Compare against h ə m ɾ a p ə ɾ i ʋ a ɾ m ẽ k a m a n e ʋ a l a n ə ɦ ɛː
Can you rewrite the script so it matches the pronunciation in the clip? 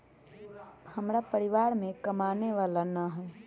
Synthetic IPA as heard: h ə m ɾ a p ə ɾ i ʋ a ɾ m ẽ k ə m a n e ʋ a l a n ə ɦ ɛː